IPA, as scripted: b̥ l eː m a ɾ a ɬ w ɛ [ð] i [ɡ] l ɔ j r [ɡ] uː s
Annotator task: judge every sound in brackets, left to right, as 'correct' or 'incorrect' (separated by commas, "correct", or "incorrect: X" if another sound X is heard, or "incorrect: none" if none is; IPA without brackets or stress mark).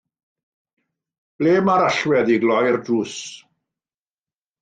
correct, correct, incorrect: d